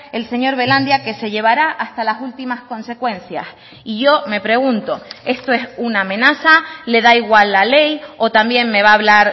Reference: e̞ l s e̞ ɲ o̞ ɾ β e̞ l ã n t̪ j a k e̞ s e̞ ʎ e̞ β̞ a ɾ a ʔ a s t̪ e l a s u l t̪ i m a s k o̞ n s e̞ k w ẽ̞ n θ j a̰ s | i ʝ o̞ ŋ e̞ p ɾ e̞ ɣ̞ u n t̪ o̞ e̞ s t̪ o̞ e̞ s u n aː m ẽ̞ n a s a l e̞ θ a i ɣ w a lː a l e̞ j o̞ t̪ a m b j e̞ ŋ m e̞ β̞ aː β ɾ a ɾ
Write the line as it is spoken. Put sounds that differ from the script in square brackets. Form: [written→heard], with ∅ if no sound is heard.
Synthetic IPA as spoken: e̞ l s e̞ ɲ o̞ ɾ β e̞ l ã n [t̪→d̪] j a k e̞ s e̞ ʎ e̞ β̞ a ɾ a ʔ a s t̪ [e→a] l a s u l t̪ i m a s k o̞ n s e̞ k w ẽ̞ n θ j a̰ s | i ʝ o̞ [ŋ→m] e̞ p ɾ e̞ ɣ̞ u n t̪ o̞ e̞ s t̪ o̞ e̞ s u n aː m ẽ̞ n a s a l e̞ [θ→ð] a i ɣ w a lː a l e̞ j o̞ t̪ a m b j e̞ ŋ m e̞ β̞ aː β [ɾ→l] a ɾ

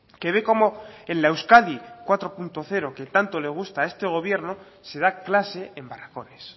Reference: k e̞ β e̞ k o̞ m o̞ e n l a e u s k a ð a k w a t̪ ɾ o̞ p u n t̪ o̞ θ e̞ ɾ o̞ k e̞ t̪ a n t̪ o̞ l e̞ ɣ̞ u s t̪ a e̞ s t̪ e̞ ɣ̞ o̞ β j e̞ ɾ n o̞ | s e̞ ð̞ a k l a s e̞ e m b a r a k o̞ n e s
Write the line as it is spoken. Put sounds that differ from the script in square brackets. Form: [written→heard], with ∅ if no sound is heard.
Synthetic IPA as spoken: k e̞ β e̞ k o̞ m o̞ e n l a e [u→w] s k a ð [a→i] k w a t̪ ɾ o̞ p u n t̪ o̞ θ e̞ ɾ o̞ k e̞ t̪ a n t̪ o̞ l e̞ ɣ̞ u s t̪ a e̞ s t̪ e̞ ɣ̞ o̞ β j e̞ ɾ n o̞ | s e̞ ð̞ a k l a s e̞ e m b a r a k o̞ n e s

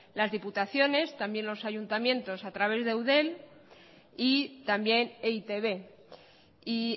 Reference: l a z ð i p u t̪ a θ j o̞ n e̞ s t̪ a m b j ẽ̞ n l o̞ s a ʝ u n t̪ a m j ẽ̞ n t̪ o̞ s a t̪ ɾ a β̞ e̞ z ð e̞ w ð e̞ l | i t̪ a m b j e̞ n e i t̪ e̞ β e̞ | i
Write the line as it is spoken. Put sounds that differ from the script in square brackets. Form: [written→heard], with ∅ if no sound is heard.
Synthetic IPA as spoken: l a z ð i p u t̪ a θ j o̞ n e̞ s t̪ a m b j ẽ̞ n l o̞ s a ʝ u n t̪ a m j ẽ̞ n t̪ o̞ s a t̪ ɾ a β̞ e̞ z ð e̞ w ð e̞ l | i t̪ a m b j e̞ n e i t̪ e̞ β e̞ | i

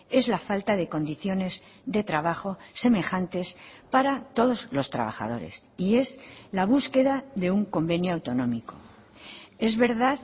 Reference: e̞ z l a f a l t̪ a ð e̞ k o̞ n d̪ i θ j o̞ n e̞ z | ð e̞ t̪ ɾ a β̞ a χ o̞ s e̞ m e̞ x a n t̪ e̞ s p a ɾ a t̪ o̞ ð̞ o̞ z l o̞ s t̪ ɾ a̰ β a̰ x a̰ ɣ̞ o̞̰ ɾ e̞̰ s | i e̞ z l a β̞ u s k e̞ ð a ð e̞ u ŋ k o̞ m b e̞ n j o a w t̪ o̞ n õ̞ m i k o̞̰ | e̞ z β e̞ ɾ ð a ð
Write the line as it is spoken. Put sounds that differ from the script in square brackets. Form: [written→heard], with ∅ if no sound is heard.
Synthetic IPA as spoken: e̞ z l a f a l t̪ a ð e̞ k o̞ n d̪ i θ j o̞ n e̞ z | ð e̞ t̪ ɾ a β̞ a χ o̞ s e̞ m e̞ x a n t̪ e̞ s p a ɾ a t̪ o̞ ð̞ o̞ z l o̞ s t̪ ɾ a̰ β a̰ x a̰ [ɣ̞→ð̞] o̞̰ ɾ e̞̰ s | i e̞ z l a β̞ u s k e̞ ð a ð e̞ u ŋ k o̞ m b e̞ n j o a w t̪ o̞ n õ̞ m i k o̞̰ | e̞ z β e̞ ɾ ð a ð

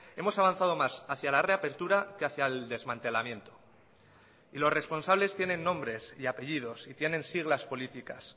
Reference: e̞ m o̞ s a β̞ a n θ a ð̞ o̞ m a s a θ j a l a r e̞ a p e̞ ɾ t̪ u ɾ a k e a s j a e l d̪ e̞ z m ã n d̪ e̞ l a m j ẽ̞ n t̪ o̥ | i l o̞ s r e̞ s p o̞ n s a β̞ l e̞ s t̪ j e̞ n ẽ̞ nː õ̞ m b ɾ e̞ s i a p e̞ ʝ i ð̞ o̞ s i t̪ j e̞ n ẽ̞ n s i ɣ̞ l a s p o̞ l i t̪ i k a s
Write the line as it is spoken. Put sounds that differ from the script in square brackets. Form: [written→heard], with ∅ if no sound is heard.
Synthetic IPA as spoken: e̞ m o̞ s a β̞ a n θ a ð̞ o̞ m a s a θ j a l a r e̞ a p e̞ ɾ t̪ u ɾ a k e a [s→θ] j a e l d̪ e̞ z m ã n [d̪→t̪] e̞ l a m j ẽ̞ n t̪ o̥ | i l o̞ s r e̞ s p o̞ n s a β̞ l e̞ s t̪ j e̞ n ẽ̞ nː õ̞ m b ɾ e̞ s i a p e̞ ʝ i ð̞ o̞ s i t̪ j e̞ n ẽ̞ n s i ɣ̞ l a s p o̞ l i t̪ i k a s

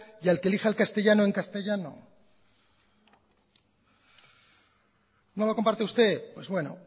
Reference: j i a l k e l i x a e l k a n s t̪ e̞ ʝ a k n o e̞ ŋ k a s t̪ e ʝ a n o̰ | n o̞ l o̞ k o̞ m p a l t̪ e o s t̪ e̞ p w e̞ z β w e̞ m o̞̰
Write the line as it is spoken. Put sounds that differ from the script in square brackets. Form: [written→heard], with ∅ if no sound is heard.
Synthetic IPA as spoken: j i a l k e l i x a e l k a [n→∅] s t̪ e̞ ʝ a [k→∅] n o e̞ ŋ k a s t̪ e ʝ a n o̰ | n o̞ l o̞ k o̞ m p a [l→ɾ] t̪ e [o→u] s t̪ e̞ p w e̞ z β w e̞ [m→n] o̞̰

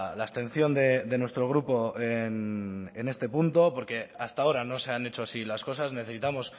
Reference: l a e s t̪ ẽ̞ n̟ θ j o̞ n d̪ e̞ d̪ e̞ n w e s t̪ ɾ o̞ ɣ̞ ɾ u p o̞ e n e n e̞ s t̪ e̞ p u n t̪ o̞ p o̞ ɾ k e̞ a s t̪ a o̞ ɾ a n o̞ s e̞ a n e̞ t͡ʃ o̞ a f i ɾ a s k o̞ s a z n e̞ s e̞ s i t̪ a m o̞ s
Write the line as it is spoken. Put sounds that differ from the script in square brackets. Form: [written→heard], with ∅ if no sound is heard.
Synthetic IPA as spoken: l a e s t̪ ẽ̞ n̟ θ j o̞ n d̪ e̞ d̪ e̞ n w e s t̪ ɾ o̞ ɣ̞ ɾ u p o̞ e n e n e̞ s t̪ e̞ p u n t̪ o̞ p o̞ ɾ k e̞ a s t̪ a o̞ ɾ a n o̞ s e̞ a n e̞ t͡ʃ o̞ a [f→s] i [ɾ→l] a s k o̞ s a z n e̞ [s→θ] e̞ s i t̪ a m o̞ s

